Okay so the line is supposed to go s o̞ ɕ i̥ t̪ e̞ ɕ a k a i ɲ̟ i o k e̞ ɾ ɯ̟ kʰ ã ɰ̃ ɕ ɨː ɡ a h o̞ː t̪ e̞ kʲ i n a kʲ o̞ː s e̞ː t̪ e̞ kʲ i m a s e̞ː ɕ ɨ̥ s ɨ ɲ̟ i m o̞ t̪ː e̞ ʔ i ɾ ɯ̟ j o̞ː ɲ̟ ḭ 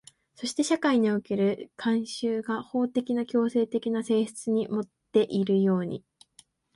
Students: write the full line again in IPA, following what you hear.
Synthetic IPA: s o̞ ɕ i̥ t̪ e̞ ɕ a k a i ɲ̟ i o k e̞ ɾ ɯ̟ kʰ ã ɰ̃ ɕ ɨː ɡ a h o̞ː t̪ e̞ kʲ i n a kʲ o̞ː s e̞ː t̪ e̞ kʲ i n a s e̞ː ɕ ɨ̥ t͡s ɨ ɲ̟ i m o̞ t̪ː e̞ ʔ i ɾ ɯ̟ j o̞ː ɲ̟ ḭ